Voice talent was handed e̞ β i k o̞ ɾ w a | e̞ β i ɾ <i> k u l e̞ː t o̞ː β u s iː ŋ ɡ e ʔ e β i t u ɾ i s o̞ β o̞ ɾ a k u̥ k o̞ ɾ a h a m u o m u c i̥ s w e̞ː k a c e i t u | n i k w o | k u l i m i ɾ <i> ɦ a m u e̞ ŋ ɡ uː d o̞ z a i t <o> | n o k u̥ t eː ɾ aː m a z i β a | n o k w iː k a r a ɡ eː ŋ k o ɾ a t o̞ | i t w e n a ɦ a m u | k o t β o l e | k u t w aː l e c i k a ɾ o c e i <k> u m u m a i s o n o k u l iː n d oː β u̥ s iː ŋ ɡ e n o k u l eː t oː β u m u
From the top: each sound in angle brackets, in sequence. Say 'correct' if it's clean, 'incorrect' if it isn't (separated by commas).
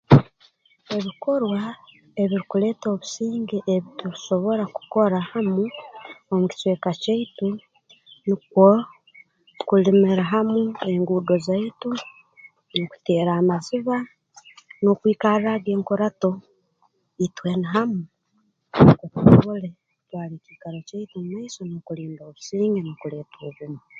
correct, incorrect, incorrect, incorrect